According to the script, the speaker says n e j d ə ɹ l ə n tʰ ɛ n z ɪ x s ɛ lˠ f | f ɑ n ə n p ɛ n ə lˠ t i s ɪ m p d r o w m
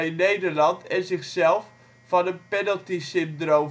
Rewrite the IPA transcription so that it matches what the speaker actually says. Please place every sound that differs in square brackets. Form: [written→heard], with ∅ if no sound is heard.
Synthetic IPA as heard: n e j d ə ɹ l [ə→ɑ] n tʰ ɛ n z ɪ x s ɛ lˠ f | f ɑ n ə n p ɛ n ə lˠ t i s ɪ m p d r o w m